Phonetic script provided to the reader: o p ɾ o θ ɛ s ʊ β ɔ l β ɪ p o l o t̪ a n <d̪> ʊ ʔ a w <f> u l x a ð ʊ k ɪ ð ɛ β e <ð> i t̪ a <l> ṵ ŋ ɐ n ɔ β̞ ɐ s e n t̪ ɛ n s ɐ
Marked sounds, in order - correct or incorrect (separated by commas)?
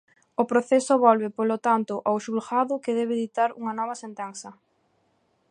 incorrect, incorrect, correct, incorrect